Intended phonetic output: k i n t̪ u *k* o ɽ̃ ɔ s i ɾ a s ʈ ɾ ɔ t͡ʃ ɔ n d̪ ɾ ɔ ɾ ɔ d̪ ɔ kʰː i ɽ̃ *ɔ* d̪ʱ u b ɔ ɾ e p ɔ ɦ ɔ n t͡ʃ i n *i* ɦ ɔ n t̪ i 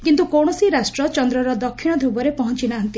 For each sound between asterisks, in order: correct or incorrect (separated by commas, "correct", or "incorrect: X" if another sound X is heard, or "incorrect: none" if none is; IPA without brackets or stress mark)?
correct, correct, incorrect: a